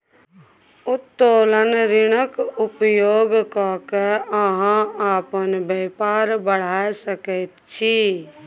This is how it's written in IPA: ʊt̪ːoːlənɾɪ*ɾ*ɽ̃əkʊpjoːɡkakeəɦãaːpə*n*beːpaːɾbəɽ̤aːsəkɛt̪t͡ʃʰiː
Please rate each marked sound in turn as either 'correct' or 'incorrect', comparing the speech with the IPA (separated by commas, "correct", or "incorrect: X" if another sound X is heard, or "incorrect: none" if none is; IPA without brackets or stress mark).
incorrect: none, correct